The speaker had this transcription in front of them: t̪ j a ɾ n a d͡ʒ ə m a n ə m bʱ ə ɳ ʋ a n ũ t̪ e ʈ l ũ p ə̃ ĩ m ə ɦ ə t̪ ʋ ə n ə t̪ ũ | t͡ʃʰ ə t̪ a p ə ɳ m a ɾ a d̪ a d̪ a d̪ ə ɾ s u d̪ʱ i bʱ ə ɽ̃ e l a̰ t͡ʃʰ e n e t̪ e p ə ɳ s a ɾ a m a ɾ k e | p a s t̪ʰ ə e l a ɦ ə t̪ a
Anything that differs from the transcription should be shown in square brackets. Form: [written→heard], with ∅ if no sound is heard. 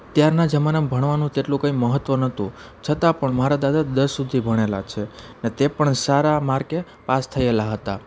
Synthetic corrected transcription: t̪ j a ɾ n a d͡ʒ ə m a n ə m bʱ ə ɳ ʋ a n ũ t̪ e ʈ l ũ [p→k] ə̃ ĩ m ə ɦ ə t̪ ʋ ə n ə t̪ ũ | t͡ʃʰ ə t̪ a p ə ɳ m a ɾ a d̪ a d̪ a d̪ ə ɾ s u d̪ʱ i bʱ ə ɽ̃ e l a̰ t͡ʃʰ e n e t̪ e p ə ɳ s a ɾ a m a ɾ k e | p a s t̪ʰ ə e l a ɦ ə t̪ a